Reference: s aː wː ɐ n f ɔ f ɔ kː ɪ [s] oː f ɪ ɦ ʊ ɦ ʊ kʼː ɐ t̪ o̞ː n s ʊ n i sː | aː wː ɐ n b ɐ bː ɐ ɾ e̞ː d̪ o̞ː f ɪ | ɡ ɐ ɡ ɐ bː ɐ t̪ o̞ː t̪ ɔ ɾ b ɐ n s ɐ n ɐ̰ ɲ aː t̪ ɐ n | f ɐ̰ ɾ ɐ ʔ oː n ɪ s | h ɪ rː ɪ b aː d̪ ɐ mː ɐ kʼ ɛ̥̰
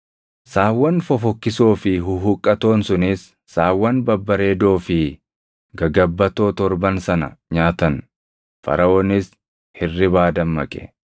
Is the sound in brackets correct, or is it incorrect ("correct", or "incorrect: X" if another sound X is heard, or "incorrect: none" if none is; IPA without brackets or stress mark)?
correct